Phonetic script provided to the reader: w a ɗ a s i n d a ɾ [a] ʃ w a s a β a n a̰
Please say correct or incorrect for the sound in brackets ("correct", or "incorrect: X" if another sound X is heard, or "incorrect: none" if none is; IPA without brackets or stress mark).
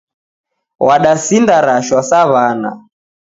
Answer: correct